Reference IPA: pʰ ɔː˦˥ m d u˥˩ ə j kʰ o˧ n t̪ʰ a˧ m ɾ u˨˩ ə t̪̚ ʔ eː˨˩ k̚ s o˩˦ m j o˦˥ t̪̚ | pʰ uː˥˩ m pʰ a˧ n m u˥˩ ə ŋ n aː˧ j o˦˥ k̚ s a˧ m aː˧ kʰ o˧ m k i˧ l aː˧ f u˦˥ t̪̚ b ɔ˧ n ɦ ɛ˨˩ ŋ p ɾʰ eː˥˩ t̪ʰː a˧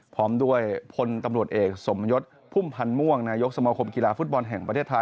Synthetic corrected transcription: pʰ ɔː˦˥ m d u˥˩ ə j pʰ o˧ n t̪ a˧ m ɾ u˨˩ ə t̪̚ ʔ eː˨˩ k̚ s o˩˦ m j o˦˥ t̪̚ | pʰ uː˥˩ m pʰ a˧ n m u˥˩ ə ŋ n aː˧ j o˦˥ k̚ s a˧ m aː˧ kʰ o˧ m k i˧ l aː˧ f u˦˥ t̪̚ b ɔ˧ n ɦ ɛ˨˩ ŋ p ɾʰ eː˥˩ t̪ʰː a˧

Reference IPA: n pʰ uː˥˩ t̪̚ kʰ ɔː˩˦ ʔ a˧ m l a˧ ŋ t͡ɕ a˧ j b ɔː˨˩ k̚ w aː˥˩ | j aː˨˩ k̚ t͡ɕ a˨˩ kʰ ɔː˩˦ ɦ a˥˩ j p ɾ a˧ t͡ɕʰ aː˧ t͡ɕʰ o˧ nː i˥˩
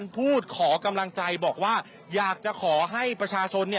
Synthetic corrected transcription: n pʰ uː˥˩ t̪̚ kʰ ɔː˩˦ k a˧ m l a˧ ŋ t͡ɕ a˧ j b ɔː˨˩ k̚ w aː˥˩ | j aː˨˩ k̚ t͡ɕ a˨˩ kʰ ɔː˩˦ ɦ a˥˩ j p ɾ a˧ t͡ɕʰ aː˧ t͡ɕʰ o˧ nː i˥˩

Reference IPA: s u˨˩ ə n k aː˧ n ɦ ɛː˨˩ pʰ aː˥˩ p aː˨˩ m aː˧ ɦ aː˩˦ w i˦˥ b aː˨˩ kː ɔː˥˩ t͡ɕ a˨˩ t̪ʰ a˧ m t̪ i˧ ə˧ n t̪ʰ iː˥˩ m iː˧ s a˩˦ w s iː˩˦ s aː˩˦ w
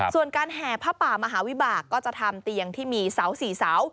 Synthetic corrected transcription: s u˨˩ ə n k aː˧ n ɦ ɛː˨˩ pʰ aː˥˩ p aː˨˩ m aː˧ ɦ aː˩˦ w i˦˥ b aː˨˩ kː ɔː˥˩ t͡ɕ a˨˩ t̪ʰ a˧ m t̪ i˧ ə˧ ŋ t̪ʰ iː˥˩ m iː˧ s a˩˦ w s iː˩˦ s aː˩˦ w

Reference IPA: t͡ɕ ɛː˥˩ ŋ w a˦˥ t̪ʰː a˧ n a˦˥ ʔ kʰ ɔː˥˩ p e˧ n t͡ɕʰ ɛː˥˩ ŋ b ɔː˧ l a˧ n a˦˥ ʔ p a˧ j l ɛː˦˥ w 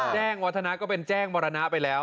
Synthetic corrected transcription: t͡ɕ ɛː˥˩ ŋ w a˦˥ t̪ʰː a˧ n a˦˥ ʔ k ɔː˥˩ p e˧ n t͡ɕ ɛː˥˩ ŋ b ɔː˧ ɾ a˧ n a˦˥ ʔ p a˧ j l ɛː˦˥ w

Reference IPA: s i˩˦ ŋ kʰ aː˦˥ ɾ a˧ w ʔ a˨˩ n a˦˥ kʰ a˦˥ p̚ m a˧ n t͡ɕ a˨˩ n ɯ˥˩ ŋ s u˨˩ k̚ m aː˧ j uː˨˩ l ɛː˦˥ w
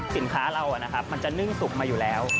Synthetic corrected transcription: s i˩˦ n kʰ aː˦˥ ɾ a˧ w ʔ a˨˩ n a˦˥ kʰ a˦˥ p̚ m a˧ n t͡ɕ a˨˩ n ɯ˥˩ ŋ s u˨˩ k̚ m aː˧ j uː˨˩ l ɛː˦˥ w

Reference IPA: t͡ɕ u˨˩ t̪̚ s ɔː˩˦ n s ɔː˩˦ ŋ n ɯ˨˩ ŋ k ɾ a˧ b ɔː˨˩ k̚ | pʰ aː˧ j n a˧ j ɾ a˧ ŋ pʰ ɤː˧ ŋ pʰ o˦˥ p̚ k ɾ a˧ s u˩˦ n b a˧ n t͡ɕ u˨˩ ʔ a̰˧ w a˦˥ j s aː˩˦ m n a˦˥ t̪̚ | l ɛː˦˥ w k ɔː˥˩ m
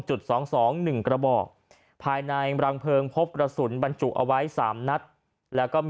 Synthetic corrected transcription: t͡ɕ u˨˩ t̪̚ s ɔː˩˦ ŋ s ɔː˩˦ ŋ n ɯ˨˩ ŋ k ɾ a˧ b ɔː˨˩ k̚ | pʰ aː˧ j n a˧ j ɾ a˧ ŋ pʰ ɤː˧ ŋ pʰ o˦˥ p̚ k ɾ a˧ s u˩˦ n b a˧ n t͡ɕ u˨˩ ʔ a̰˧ w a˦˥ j s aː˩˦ m n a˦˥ t̪̚ | l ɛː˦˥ w k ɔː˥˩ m

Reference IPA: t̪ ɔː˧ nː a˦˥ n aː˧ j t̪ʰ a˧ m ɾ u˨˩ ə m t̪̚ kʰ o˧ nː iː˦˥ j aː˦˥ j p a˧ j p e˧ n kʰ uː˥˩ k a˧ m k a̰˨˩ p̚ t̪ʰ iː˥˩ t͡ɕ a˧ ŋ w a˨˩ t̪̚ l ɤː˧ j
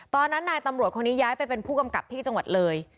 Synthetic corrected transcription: t̪ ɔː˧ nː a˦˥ nː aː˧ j t̪ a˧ m ɾ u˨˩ ə t̪̚ kʰ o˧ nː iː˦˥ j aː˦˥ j p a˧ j p e˧ n pʰ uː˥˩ k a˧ m k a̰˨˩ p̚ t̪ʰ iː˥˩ t͡ɕ a˧ ŋ w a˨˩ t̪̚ l ɤː˧ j

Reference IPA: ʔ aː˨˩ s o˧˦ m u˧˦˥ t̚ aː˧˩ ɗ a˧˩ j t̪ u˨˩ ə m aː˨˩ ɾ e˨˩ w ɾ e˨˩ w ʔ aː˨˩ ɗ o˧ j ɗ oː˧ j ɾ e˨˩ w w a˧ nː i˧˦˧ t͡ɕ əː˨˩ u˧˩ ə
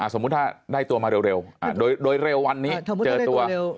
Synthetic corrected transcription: ʔ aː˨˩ s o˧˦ m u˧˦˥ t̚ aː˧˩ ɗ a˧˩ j t̪ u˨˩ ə m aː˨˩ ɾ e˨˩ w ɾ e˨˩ w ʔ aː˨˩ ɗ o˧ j ɗ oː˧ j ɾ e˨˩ w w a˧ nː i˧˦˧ t͡ɕ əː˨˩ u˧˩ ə

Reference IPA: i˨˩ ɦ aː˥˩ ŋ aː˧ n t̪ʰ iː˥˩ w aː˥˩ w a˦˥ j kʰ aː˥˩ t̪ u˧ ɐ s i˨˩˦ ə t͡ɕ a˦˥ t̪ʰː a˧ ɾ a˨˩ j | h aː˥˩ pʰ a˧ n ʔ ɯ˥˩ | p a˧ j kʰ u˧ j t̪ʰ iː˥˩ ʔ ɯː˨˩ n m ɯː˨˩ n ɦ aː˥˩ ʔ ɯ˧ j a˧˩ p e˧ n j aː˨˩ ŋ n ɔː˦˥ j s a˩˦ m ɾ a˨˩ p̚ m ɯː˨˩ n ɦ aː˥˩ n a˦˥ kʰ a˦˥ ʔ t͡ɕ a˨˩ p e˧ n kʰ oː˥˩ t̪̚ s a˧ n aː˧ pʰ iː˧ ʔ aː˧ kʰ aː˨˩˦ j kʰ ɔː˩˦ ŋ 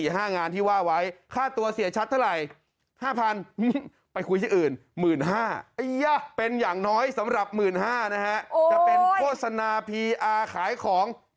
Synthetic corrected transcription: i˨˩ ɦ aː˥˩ ŋ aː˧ n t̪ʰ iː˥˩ w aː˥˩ w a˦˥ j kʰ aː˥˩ t̪ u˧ ɐ s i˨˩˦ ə t͡ɕʰ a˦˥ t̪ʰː a˥˩ ɾ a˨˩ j | h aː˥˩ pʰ a˧ n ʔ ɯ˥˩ | p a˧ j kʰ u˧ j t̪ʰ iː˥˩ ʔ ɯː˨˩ n m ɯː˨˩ n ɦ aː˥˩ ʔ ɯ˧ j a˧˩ p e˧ n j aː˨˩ ŋ n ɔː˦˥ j s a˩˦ m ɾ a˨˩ p̚ m ɯː˨˩ n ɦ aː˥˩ n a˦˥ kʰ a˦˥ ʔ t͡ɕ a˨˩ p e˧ n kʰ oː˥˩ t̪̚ s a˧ n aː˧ pʰ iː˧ ʔ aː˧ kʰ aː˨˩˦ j kʰ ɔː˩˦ ŋ

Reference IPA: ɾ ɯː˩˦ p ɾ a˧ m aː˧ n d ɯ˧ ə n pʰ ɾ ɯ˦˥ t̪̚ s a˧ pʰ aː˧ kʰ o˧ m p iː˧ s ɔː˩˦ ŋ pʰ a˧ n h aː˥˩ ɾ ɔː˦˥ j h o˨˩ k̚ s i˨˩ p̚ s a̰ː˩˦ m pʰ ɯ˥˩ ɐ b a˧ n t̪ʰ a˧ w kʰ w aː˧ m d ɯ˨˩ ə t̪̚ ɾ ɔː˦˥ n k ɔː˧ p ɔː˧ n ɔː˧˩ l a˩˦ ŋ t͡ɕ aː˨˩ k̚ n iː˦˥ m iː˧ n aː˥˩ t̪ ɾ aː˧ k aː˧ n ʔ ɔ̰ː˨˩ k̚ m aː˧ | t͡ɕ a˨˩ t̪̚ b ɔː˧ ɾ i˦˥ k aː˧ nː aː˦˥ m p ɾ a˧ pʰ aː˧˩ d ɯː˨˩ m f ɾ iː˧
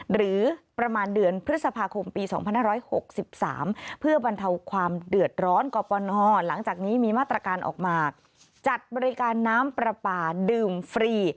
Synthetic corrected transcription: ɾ ɯː˩˦ p ɾ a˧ m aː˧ n d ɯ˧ ə n pʰ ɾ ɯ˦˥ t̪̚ s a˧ pʰ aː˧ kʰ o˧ m p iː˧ s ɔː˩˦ ŋ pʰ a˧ n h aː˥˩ ɾ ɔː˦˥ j h o˨˩ k̚ s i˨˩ p̚ s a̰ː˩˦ m pʰ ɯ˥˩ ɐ b a˧ n t̪ʰ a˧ w kʰ w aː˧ m d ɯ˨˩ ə t̪̚ ɾ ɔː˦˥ n k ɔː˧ p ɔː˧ n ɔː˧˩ l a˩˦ ŋ t͡ɕ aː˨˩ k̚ n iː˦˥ m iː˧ m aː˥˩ t̪ ɾ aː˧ k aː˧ n ʔ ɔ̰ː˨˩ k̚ m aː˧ | t͡ɕ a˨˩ t̪̚ b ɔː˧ ɾ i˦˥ k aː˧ nː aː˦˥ m p ɾ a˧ p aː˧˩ d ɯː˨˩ m f ɾ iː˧

